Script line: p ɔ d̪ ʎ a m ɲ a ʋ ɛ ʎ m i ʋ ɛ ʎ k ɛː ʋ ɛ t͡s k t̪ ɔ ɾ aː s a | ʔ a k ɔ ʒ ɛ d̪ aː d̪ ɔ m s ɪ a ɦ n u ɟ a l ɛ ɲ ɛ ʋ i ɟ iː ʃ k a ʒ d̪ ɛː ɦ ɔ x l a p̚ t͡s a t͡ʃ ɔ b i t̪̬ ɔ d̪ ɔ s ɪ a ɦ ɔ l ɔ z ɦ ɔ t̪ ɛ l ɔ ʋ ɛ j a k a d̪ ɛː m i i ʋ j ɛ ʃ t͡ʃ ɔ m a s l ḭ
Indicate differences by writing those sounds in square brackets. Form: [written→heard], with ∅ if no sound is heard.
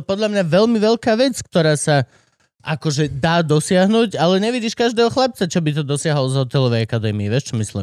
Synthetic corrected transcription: p ɔ d̪ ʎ a m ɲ a ʋ ɛ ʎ m i ʋ ɛ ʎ k [ɛː→aː] ʋ ɛ t͡s k t̪ ɔ ɾ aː s a | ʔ a k ɔ ʒ ɛ d̪ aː d̪ ɔ [m→∅] s ɪ a ɦ n u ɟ a l ɛ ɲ ɛ ʋ i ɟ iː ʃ k a ʒ d̪ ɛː ɦ ɔ x l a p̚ t͡s a t͡ʃ ɔ b i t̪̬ ɔ d̪ ɔ s ɪ a ɦ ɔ l ɔ z ɦ ɔ t̪ ɛ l ɔ ʋ ɛ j a k a d̪ ɛː m i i ʋ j ɛ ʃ t͡ʃ ɔ m [a→i] s l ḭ